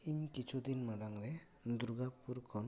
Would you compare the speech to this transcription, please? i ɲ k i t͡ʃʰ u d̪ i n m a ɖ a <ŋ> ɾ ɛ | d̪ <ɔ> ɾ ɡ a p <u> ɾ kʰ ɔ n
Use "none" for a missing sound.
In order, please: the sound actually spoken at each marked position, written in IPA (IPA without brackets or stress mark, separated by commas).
ŋ, u, u